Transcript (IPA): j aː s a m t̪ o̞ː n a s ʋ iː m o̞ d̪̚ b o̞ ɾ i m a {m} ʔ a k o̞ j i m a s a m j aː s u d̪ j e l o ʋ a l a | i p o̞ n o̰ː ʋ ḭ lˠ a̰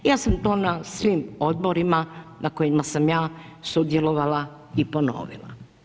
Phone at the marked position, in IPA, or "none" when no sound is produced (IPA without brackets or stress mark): n